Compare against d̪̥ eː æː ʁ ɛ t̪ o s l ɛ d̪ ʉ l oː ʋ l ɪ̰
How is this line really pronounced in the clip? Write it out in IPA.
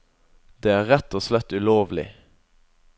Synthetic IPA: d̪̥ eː æː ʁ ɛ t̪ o s l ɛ t̪ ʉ l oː ʋ l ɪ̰